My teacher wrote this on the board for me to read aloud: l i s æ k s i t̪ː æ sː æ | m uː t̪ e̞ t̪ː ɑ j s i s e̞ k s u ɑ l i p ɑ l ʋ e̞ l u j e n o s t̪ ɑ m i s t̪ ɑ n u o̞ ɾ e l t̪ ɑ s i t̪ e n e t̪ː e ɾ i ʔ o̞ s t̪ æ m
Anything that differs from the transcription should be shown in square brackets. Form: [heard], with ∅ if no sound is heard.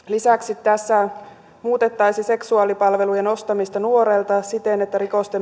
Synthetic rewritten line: l i s æ k s i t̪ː æ sː æ | m uː t̪ e̞ t̪ː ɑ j s i s e̞ k s u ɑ l i p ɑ l ʋ e̞ l u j e n o s t̪ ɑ m i s t̪ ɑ n u o̞ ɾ e l t̪ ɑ s i t̪ e n e t̪ː [æ] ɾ i [k] o̞ s t̪ [e] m